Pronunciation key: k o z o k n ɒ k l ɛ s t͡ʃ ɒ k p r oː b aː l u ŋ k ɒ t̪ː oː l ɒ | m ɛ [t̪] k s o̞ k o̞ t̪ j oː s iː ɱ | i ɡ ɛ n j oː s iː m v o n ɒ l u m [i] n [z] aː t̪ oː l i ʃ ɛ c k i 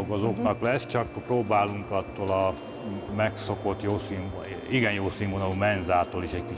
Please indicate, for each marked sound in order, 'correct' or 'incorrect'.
incorrect: none, incorrect: ɛ, correct

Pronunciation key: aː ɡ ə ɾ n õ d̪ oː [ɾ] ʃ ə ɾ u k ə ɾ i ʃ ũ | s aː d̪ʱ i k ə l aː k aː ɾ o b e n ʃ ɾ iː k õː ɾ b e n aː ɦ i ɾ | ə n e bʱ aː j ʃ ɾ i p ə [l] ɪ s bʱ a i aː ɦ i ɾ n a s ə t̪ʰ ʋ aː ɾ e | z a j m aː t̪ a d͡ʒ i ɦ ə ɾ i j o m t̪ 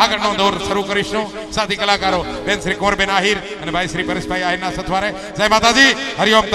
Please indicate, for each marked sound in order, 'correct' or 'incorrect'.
correct, incorrect: ɾ

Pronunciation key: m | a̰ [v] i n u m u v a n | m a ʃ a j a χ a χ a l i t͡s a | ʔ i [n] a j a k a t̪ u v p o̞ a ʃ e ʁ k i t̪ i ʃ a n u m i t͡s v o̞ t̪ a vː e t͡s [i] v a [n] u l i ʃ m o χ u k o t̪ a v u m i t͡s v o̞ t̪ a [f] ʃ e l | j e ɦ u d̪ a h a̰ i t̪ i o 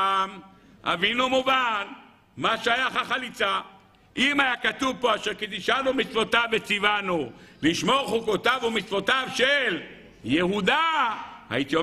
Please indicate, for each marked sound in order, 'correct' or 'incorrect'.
correct, incorrect: m, correct, correct, incorrect: v

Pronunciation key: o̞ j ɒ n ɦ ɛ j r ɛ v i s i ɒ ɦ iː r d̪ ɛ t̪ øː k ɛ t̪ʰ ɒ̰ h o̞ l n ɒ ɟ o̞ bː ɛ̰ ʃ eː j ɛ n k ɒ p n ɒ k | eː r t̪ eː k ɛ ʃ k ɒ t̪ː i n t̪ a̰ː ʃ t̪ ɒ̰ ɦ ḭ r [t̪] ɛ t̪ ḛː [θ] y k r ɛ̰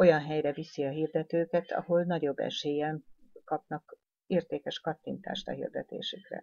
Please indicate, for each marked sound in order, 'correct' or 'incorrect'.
incorrect: d̪, incorrect: ʃ

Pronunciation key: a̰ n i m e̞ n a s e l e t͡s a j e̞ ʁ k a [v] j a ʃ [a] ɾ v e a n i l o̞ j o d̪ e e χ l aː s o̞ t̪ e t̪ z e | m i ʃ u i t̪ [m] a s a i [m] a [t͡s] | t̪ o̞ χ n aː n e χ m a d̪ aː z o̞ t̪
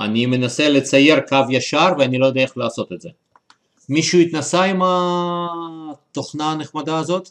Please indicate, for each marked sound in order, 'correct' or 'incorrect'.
correct, correct, incorrect: n, correct, incorrect: none

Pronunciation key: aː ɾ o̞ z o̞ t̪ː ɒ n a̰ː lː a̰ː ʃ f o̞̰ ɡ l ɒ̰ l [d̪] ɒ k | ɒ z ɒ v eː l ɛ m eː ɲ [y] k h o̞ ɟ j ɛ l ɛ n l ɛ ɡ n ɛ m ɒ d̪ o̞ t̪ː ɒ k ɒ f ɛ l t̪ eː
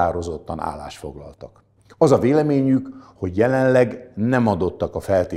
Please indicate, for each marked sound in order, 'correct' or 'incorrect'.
incorrect: t̪, correct

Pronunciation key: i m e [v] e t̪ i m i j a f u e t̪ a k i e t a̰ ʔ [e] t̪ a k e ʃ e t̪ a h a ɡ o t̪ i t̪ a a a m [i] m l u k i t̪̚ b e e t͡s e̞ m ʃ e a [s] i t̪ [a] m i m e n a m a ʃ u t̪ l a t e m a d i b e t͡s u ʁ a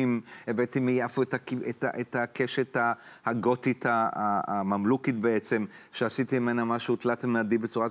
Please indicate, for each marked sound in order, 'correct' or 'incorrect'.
correct, correct, incorrect: a, correct, incorrect: i

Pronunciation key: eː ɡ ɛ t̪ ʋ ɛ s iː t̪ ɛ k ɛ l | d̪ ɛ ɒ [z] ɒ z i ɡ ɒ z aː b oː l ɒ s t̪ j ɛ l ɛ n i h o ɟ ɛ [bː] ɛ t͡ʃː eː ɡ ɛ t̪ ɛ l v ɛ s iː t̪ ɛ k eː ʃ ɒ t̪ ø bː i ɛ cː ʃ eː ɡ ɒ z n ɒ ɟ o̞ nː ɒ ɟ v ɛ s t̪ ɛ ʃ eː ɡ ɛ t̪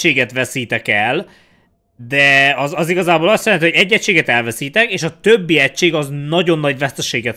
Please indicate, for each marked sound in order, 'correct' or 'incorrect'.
correct, incorrect: ɟː

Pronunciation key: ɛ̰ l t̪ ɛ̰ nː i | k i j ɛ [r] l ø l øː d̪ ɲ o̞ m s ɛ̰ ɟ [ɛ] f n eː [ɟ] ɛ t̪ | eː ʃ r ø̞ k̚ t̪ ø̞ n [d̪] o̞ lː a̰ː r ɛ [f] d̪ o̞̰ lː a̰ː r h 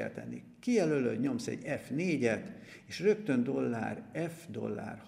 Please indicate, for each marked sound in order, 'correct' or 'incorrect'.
incorrect: none, correct, correct, correct, correct

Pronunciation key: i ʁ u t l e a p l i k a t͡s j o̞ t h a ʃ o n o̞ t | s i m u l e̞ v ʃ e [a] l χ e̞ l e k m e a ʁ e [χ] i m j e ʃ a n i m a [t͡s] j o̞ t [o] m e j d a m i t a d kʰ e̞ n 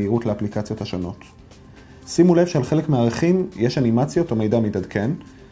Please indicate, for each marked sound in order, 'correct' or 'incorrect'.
correct, correct, correct, correct

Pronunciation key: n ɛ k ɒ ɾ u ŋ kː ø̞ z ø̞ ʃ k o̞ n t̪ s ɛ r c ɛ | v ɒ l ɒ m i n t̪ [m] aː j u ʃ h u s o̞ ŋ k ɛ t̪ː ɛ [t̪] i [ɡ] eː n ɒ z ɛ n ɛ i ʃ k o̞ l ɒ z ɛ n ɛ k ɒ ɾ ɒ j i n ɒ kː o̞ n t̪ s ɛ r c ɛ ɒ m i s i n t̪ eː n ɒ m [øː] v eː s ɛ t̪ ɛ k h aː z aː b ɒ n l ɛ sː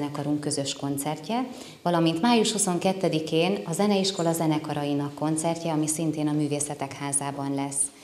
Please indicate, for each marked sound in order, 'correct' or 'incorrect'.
correct, incorrect: d̪, incorrect: k, incorrect: yː

